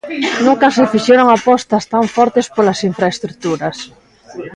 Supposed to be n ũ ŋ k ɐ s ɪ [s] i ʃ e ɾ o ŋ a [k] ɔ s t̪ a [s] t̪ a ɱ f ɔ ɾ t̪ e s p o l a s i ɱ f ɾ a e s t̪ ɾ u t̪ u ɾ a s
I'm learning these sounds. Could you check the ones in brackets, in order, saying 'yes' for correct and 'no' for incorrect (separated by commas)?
no, no, yes